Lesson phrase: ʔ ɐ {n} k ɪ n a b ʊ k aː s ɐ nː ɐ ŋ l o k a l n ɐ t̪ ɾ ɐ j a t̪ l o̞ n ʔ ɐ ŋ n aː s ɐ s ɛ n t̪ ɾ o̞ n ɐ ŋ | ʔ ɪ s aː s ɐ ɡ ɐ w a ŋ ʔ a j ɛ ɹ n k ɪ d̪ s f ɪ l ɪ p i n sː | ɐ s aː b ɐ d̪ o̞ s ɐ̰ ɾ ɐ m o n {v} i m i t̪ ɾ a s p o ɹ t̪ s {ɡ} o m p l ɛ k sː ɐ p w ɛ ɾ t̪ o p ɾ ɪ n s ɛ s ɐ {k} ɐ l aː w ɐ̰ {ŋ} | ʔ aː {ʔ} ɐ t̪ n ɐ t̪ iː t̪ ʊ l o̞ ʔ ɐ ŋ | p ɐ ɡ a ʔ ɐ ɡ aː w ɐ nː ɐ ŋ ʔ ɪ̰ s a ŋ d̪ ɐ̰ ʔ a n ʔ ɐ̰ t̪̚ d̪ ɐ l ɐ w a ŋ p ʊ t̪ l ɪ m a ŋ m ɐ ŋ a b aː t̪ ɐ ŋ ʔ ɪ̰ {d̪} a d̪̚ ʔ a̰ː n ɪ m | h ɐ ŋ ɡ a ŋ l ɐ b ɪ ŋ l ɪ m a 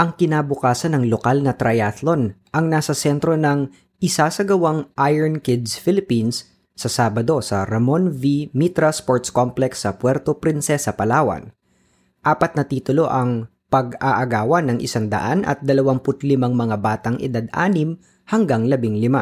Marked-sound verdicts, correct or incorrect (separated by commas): incorrect, correct, incorrect, incorrect, incorrect, incorrect, correct